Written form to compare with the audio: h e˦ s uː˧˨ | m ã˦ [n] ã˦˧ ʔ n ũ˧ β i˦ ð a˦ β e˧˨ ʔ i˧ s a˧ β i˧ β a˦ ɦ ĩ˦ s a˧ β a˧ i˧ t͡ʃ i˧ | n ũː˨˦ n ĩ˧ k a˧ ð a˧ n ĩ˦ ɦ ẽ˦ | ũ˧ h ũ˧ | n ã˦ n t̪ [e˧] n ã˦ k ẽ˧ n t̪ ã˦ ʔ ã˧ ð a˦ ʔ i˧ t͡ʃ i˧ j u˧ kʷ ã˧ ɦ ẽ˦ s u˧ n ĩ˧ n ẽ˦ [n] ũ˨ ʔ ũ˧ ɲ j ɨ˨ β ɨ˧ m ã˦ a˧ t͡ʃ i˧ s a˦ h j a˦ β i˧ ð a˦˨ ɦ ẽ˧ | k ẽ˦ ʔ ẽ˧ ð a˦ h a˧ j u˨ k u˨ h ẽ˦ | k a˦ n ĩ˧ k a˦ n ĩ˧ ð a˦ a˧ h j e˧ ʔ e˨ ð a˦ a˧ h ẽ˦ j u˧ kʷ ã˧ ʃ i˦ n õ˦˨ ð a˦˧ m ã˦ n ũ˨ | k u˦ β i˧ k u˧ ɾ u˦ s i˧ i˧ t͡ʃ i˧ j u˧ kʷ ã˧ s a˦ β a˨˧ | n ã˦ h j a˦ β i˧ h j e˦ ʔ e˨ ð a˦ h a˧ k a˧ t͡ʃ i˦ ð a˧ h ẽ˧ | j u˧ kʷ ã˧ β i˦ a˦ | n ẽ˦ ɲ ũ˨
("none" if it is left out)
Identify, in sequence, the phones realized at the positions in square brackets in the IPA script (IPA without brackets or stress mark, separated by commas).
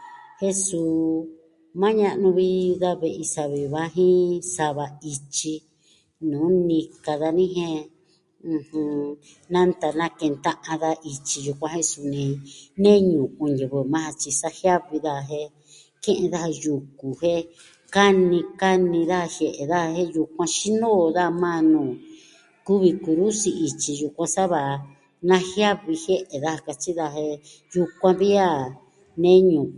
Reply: ɲ, a˧, ɲ